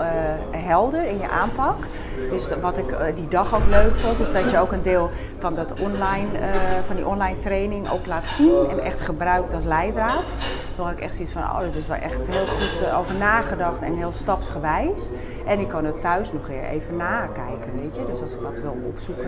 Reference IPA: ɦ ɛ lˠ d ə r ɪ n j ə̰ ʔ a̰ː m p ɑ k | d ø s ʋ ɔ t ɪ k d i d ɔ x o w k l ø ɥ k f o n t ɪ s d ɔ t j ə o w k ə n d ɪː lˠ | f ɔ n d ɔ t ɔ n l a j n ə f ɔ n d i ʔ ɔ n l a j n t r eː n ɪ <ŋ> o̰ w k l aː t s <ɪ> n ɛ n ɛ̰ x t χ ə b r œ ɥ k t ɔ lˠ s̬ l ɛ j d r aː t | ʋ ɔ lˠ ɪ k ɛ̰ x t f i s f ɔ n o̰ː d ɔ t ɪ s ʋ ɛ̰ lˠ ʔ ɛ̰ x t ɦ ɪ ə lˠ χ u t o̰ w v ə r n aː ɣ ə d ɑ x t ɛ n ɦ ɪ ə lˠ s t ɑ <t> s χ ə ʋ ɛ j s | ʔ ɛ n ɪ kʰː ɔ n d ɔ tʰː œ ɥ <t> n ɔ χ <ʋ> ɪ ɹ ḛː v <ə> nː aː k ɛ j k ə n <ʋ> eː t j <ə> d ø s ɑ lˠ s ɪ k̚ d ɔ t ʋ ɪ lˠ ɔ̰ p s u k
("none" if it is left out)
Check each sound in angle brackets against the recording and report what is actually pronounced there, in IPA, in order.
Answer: ŋ, i, p, s, ʋ, ə, ʋ, ə

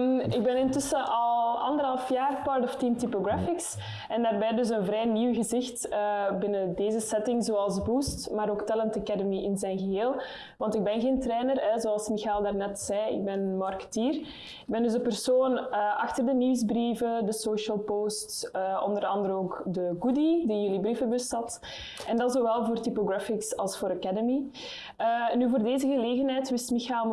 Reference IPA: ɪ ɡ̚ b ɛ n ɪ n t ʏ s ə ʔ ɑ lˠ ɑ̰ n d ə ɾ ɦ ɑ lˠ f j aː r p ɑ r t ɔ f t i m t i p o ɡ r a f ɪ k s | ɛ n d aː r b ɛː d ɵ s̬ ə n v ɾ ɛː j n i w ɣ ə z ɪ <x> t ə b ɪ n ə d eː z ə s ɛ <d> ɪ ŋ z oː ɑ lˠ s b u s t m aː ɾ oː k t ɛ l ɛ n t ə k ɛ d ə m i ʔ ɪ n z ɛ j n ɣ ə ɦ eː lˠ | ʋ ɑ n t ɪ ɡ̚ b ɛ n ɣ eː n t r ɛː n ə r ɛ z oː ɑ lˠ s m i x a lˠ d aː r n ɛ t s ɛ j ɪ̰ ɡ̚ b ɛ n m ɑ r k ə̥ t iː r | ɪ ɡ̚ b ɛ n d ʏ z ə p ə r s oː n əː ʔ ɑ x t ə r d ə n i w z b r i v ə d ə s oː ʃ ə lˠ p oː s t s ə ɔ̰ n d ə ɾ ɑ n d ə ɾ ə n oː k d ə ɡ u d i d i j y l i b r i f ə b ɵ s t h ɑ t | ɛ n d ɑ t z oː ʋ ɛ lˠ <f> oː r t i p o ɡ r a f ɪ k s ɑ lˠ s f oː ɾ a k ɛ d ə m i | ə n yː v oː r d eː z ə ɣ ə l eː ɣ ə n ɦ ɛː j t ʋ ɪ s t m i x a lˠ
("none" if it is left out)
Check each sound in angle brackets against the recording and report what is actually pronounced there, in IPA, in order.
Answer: x, t, v

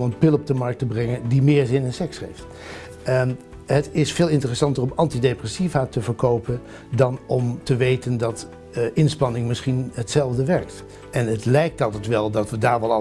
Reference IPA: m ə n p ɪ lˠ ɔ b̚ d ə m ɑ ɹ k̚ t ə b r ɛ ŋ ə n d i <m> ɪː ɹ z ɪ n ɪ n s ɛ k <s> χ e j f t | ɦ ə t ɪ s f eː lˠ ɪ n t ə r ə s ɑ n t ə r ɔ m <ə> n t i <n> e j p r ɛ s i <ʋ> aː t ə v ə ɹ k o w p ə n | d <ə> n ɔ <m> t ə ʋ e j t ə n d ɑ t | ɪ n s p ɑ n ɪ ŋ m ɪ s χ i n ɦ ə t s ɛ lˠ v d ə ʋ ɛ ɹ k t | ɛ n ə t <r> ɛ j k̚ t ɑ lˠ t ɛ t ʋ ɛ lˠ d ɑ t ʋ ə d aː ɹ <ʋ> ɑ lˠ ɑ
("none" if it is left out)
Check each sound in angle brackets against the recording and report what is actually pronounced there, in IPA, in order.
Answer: m, s, ɑ, d, v, ɑ, m, l, ʋ

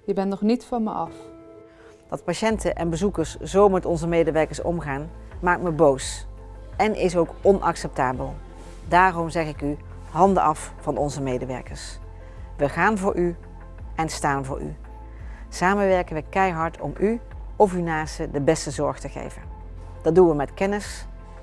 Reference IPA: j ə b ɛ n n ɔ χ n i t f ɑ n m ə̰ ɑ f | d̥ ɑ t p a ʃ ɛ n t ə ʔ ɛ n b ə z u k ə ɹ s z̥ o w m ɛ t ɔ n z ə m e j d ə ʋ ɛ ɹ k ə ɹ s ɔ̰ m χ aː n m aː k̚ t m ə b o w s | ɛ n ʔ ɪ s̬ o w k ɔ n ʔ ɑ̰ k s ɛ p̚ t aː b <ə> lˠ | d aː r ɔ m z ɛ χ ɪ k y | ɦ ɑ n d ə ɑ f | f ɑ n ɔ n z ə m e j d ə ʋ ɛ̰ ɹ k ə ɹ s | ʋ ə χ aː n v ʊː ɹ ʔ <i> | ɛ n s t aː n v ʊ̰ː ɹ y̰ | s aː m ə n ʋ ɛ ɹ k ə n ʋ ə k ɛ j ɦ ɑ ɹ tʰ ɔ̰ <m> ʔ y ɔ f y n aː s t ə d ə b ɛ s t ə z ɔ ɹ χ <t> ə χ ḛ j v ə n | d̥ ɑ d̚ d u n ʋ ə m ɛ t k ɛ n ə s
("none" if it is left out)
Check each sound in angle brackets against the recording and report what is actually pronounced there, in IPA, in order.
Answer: ə, y, m, t

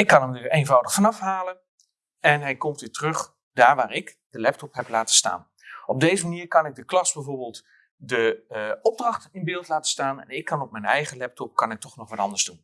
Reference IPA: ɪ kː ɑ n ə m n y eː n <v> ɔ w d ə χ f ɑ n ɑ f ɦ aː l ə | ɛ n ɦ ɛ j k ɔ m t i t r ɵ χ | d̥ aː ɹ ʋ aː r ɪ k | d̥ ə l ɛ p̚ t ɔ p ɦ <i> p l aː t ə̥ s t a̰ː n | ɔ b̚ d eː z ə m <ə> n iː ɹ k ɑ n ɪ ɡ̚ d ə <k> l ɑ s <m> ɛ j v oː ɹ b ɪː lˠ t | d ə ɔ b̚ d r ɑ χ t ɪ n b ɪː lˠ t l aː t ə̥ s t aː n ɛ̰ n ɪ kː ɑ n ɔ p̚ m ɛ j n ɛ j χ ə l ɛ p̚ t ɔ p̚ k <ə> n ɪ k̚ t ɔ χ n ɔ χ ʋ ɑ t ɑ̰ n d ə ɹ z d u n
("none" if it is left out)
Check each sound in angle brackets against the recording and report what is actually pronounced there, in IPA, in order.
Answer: v, ɛ, ə, k, b, ɑ

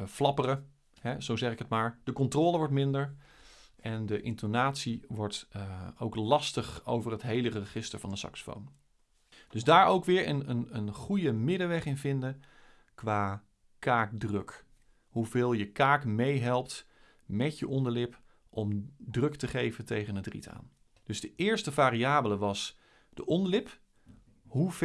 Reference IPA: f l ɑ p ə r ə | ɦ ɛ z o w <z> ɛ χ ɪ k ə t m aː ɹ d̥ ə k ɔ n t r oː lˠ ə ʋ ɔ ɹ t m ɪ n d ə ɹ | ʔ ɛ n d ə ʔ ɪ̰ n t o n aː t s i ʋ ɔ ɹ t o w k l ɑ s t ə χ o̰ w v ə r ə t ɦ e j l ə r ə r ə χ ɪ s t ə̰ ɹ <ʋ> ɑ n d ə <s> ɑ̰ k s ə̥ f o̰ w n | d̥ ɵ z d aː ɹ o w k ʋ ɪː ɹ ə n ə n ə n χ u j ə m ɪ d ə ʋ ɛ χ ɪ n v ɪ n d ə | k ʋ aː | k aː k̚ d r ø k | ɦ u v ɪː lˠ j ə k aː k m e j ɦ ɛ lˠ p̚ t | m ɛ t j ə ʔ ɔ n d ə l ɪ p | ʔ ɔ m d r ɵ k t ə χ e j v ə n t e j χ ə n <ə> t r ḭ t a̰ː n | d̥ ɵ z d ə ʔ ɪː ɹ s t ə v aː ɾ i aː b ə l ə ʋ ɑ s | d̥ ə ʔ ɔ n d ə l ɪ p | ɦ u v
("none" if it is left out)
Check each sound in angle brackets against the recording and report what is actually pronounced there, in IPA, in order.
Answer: z, v, s, ə

